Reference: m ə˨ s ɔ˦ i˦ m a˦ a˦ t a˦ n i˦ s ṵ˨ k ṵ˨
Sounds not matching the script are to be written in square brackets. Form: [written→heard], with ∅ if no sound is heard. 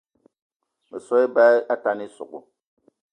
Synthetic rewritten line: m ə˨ s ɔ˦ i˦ [m→b] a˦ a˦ t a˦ n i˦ s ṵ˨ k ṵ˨